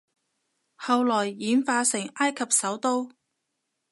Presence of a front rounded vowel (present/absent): absent